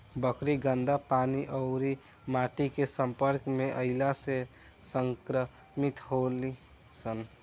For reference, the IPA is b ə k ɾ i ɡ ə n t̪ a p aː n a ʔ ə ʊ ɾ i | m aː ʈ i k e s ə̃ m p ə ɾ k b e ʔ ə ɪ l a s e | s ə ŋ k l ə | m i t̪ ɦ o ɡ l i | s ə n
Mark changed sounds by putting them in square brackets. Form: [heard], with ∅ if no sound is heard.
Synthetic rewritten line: b ə k ɾ i ɡ ə n [d̪] a p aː n [i] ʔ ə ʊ ɾ i | m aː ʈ i k e s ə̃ m p ə ɾ k [m] e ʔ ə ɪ l a s e | s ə ŋ k [ɾ] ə | m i t̪ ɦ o [∅] l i | s ə n